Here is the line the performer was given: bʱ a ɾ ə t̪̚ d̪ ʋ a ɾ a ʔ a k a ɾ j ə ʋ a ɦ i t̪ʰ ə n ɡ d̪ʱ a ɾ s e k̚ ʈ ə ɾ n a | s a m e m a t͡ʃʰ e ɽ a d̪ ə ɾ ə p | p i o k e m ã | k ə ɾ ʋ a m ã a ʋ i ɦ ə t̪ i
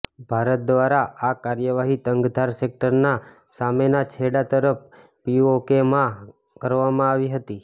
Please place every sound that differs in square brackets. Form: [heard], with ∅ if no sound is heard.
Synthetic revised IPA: bʱ a ɾ ə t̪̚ d̪ ʋ a ɾ a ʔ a k a ɾ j ə ʋ a ɦ i [t̪] ə [ŋ] ɡ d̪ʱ a ɾ s e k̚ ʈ ə ɾ n a | s a m e [n] a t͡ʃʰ e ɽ a [t̪] ə ɾ ə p | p i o k e m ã | k ə ɾ ʋ a m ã a ʋ i ɦ ə t̪ i

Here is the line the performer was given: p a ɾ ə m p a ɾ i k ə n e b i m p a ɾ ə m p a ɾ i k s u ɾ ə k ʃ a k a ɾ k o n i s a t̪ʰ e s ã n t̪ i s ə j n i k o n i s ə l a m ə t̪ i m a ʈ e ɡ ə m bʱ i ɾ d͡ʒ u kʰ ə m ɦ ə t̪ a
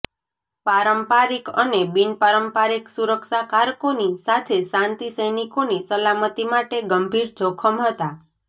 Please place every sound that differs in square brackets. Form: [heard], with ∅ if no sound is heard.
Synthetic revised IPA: p a ɾ ə m p a ɾ i k ə n e b i [n] p a ɾ ə m p a ɾ i k s u ɾ ə k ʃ a k a ɾ k o n i s a t̪ʰ e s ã n t̪ i s ə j n i k o n i s ə l a m ə t̪ i m a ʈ e ɡ ə m bʱ i ɾ d͡ʒ [o] kʰ ə m ɦ ə t̪ a

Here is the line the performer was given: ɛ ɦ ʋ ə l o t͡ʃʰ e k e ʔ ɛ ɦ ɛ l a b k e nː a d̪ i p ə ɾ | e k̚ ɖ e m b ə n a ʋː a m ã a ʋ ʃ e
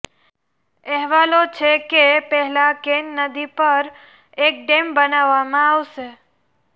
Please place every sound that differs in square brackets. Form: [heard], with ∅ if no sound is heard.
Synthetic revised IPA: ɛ ɦ ʋ [a] l o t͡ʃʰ e k e [p] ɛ ɦ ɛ l a [∅] k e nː [ə] d̪ i p ə ɾ | e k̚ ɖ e m b ə n a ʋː a m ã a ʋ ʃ e

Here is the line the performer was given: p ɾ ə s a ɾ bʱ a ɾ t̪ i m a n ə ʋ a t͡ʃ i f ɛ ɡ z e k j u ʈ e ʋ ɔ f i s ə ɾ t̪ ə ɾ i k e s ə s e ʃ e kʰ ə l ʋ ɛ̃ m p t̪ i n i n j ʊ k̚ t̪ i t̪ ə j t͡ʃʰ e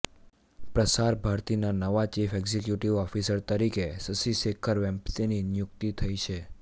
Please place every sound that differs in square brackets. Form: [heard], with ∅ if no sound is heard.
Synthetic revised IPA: p ɾ ə s a ɾ bʱ a ɾ t̪ i [n] a n ə ʋ a t͡ʃ i f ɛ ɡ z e k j u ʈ [i] ʋ ɔ f i s ə ɾ t̪ ə ɾ i k e s ə s [i] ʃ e kʰ ə [ɾ] ʋ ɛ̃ m p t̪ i n i n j ʊ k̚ t̪ i [t̪ʰ] ə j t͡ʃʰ e

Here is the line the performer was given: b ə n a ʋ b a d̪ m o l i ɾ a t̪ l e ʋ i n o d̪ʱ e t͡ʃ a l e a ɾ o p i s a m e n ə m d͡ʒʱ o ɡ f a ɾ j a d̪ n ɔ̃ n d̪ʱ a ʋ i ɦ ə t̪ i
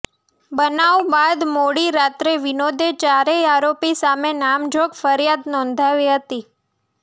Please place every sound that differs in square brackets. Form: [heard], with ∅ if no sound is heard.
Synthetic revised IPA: b ə n a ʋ b a d̪ m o [ɽ] i ɾ a t̪ [ɾ] e ʋ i n o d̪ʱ e t͡ʃ a [ɾ] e a ɾ o p i s a m e n [a] m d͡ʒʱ o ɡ f [ə] ɾ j a d̪ n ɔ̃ n d̪ʱ a ʋ i ɦ ə t̪ i

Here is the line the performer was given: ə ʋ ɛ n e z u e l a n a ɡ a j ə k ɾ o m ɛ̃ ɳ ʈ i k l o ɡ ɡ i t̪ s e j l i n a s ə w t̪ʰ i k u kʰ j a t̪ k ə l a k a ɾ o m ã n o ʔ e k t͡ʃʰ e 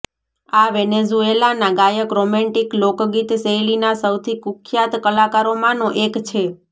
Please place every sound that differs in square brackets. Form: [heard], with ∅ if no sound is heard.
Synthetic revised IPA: [a] ʋ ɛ n e z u e l a n a ɡ a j ə k ɾ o m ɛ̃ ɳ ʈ i k l o [k] ɡ i t̪ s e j l i n a s ə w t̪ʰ i k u kʰ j a t̪ k ə l a k a ɾ o m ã n o ʔ e k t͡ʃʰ e

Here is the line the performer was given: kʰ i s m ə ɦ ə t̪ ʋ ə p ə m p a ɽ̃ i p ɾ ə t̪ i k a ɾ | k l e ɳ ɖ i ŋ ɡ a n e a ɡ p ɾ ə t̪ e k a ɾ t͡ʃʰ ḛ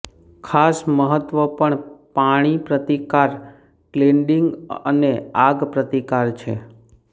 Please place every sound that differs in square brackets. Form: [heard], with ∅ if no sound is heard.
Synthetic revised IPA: kʰ [a] s m ə ɦ ə t̪ ʋ ə p ə [ɳ] p a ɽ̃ i p ɾ ə t̪ i k a ɾ | k l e ɳ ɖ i ŋ ɡ [ə] n e a ɡ p ɾ ə t̪ [i] k a ɾ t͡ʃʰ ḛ

